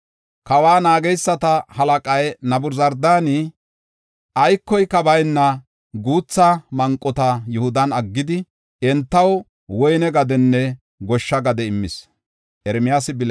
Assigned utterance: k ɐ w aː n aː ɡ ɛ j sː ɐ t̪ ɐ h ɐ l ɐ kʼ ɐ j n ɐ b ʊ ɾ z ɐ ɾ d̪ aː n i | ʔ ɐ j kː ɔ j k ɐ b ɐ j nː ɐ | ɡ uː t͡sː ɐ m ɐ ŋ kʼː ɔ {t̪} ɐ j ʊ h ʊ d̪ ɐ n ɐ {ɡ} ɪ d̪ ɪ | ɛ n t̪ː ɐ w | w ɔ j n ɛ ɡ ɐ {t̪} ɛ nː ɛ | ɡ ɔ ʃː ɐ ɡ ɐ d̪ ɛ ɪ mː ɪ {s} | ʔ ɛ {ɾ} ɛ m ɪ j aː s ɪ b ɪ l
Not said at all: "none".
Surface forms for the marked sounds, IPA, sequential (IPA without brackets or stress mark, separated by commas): t̪, ɡː, d̪, s, ɾ